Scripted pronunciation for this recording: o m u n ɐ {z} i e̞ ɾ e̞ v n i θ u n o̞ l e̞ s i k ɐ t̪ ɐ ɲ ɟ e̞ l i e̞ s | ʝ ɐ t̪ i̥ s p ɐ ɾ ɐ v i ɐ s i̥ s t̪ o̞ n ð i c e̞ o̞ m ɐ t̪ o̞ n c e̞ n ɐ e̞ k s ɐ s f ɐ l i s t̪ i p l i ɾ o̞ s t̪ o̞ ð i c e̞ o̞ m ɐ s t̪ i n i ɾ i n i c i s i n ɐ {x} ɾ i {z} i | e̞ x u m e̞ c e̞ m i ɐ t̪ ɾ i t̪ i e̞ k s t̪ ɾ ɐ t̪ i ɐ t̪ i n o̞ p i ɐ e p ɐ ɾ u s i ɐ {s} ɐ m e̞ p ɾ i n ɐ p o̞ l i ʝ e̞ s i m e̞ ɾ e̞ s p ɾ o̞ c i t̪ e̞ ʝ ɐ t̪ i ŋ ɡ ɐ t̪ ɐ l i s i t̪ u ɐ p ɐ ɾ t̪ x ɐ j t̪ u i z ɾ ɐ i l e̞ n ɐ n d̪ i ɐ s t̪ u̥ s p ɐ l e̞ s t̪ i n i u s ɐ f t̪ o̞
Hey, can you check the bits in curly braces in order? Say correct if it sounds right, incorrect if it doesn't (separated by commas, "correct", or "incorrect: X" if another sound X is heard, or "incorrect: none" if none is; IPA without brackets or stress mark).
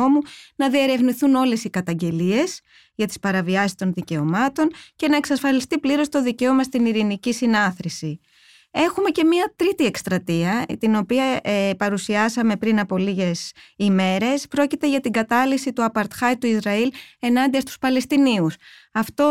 incorrect: ð, incorrect: θ, incorrect: s, correct